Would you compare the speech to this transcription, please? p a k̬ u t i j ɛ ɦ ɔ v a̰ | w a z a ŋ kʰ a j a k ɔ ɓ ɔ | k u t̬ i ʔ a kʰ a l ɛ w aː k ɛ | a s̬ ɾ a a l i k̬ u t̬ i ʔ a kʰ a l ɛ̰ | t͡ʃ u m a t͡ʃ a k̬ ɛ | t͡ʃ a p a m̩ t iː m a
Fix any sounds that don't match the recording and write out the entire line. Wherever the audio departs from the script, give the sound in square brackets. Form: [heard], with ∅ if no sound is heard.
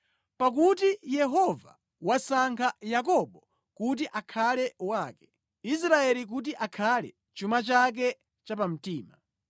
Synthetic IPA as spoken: p a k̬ u t i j ɛ ɦ ɔ v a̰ | w a [s] a ŋ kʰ a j a k ɔ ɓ ɔ | k u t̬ i ʔ a kʰ a l ɛ w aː k ɛ | [i] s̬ ɾ a [ɛ] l i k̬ u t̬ i ʔ a kʰ a l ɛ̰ | t͡ʃ u m a t͡ʃ a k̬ ɛ | t͡ʃ a p a m̩ t iː m a

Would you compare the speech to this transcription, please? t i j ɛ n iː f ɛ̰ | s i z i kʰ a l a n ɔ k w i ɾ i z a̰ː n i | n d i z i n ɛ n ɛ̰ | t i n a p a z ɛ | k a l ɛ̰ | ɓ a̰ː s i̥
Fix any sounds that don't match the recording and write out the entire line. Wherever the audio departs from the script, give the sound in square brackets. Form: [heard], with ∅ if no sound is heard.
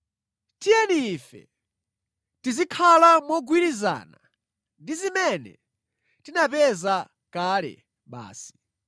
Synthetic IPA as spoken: t i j ɛ n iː f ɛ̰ | [t] i z i kʰ a l a [m] ɔ [ɡ] w i ɾ i z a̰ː n [a] | n d i z i [m] ɛ n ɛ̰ | t i n a p [ɛ] z [a] | k a l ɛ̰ | ɓ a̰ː s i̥

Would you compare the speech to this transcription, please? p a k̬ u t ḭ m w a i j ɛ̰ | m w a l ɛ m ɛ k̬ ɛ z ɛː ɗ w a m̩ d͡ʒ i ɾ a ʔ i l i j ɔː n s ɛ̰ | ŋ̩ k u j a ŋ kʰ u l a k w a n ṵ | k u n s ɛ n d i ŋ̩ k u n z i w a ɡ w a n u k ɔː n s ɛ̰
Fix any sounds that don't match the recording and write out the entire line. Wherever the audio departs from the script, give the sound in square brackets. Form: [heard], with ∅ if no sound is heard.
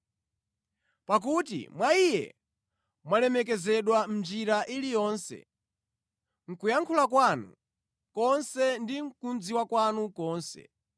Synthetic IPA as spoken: p a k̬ u t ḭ m w a i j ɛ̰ | m w a l ɛ m ɛ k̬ ɛ z [ɛ] ɗ w a m̩ d͡ʒ i ɾ a ʔ i l i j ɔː n s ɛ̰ | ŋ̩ k u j a ŋ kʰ u l a k w a n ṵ | k [ɔ] n s ɛ n d i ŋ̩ k u n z i w a [k] w a n u k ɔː n s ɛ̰

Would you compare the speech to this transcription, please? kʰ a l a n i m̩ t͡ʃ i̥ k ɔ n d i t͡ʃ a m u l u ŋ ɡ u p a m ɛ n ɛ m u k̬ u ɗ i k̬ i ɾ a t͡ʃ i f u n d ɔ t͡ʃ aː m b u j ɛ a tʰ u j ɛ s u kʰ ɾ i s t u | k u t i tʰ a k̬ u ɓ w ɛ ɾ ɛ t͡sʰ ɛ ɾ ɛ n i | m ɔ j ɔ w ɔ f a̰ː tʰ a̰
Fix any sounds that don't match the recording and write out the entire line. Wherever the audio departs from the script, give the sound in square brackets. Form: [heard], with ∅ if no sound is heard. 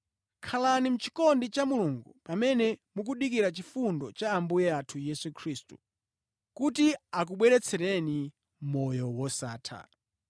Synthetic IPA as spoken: kʰ a l a n i m̩ t͡ʃ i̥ k ɔ n d i t͡ʃ a m u l u ŋ ɡ u p a m ɛ n ɛ m u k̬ u ɗ i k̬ i ɾ a t͡ʃ i f u n d ɔ t͡ʃ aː m b u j ɛ a tʰ u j ɛ s u kʰ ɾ i s t u | k u t i [∅] a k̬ u ɓ w ɛ ɾ ɛ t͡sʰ ɛ ɾ ɛ n i | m ɔ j ɔ w ɔ [s] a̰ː tʰ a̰

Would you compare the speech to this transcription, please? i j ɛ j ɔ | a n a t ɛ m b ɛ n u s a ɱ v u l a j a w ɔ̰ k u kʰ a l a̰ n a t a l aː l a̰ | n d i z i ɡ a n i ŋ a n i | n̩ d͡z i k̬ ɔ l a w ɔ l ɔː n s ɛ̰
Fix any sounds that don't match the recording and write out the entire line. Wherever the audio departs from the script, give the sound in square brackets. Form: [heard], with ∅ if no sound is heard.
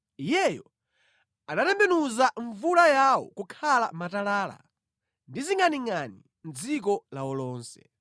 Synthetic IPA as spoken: i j ɛ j ɔ | a n a t ɛ m b ɛ n u [z] a ɱ v u l a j a w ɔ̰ k u kʰ a l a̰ [m] a t a l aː l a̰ | n d i z i [ŋ] a n i ŋ a n i | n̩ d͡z i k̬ ɔ l a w ɔ l ɔː n s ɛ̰

